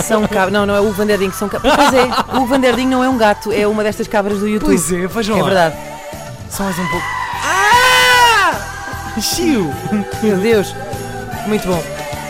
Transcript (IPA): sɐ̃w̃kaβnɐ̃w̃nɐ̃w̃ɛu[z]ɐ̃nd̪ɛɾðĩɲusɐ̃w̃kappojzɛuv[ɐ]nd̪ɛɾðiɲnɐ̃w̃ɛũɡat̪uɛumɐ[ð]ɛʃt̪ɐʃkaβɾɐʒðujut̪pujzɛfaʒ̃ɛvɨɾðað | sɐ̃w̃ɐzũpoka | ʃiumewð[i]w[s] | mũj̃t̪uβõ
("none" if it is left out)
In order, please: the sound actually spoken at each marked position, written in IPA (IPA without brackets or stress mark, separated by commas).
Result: v, ɐ̃, ð, e, ʃ